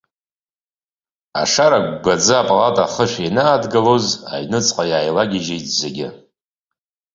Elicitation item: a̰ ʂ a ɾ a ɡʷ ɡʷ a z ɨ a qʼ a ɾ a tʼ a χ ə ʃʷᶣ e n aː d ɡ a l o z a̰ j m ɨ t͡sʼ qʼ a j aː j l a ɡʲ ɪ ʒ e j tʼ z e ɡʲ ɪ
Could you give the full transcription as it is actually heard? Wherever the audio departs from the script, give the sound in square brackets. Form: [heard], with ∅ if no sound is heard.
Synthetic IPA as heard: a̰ ʂ a ɾ a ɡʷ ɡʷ a [d͡z] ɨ a [pʼ] a [l] a tʼ a χ ə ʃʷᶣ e n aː d ɡ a l o z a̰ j [n] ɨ t͡sʼ qʼ a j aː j l a ɡʲ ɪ ʒ e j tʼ z e ɡʲ ɪ